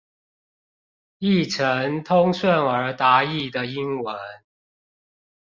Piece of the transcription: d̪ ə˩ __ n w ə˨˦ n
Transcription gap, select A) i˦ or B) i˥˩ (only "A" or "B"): A